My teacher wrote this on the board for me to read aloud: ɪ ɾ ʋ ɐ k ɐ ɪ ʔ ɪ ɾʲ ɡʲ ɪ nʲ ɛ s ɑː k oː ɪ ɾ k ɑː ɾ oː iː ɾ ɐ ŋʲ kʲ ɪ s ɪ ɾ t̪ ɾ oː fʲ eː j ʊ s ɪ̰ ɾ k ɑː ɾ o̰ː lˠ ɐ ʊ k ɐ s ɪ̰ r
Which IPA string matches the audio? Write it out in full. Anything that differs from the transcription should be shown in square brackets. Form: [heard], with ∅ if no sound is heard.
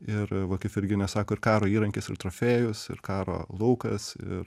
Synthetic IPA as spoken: ɪ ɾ ʋ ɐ k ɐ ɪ [p] ɪ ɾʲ ɡʲ ɪ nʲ ɛ s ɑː k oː ɪ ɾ k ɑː ɾ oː iː ɾ ɐ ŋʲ kʲ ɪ s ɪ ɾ t̪ ɾ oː fʲ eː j ʊ s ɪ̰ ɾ k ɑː ɾ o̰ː lˠ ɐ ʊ k ɐ s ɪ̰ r